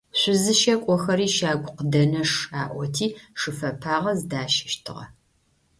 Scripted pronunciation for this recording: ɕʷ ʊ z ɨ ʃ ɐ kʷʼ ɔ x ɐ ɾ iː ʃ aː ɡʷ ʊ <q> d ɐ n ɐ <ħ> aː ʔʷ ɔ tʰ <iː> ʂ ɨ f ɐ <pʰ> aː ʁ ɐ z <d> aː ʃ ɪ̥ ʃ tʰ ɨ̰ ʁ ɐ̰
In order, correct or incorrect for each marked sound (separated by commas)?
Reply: correct, incorrect, correct, correct, correct